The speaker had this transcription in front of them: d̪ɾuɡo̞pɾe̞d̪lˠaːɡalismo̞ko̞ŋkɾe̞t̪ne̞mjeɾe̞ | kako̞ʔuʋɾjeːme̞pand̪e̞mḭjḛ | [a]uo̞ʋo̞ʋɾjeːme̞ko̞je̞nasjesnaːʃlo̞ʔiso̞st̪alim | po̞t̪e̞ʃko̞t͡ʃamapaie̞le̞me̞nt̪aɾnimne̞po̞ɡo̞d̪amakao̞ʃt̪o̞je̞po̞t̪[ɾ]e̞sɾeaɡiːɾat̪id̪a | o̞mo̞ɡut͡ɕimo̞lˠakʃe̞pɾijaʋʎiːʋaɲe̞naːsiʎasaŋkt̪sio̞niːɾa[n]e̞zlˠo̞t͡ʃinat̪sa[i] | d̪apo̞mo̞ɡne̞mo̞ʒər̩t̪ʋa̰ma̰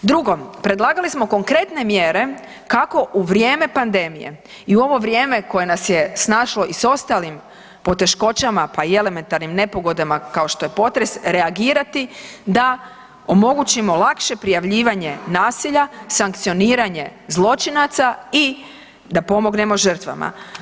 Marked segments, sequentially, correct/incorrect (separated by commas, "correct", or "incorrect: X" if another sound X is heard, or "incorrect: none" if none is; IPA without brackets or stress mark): incorrect: i, correct, incorrect: ɲ, correct